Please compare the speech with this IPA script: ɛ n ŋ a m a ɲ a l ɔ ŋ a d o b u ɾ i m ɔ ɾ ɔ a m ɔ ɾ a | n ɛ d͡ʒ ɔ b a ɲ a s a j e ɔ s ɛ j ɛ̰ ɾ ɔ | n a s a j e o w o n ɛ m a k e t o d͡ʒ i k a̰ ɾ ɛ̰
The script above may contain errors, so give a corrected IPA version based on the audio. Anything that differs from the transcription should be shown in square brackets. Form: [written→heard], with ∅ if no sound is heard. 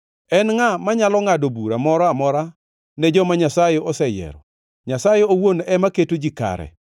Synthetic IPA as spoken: ɛ n ŋ a m a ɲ a l ɔ ŋ a d o b u ɾ [i→a] m ɔ ɾ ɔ a m ɔ ɾ a | n ɛ d͡ʒ ɔ [b→m] a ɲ a s a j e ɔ s ɛ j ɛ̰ ɾ ɔ | [n→ɲ] a s a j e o w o n ɛ m a k e t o d͡ʒ i k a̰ ɾ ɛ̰